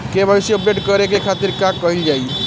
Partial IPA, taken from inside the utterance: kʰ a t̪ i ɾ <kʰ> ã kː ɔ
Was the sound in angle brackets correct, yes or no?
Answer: no